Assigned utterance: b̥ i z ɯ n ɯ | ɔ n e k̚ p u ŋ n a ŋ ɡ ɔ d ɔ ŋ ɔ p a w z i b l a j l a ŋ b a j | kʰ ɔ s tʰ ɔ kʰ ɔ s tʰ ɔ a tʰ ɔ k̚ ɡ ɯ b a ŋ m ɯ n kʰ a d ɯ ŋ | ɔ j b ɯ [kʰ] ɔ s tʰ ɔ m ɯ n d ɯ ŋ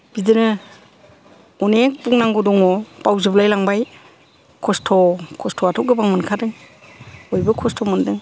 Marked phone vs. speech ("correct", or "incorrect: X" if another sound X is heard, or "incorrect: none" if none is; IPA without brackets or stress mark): correct